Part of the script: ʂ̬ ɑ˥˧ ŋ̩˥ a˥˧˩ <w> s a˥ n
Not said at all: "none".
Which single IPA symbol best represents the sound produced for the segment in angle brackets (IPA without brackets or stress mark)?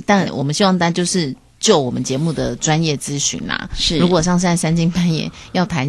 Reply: none